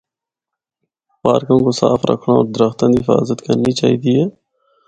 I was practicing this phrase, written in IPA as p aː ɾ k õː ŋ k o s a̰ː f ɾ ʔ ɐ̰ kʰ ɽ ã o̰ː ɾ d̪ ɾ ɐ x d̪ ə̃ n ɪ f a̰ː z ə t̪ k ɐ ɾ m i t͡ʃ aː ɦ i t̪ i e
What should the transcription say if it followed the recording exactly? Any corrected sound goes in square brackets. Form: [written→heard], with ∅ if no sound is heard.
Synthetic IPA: p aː ɾ k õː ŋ k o s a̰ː f ɾ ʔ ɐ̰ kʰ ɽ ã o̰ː ɾ d̪ ɾ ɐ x [d̪→t̪] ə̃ n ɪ f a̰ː z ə t̪ k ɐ ɾ [m→n] i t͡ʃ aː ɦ i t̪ i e